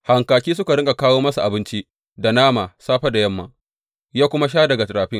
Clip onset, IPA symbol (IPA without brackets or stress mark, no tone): h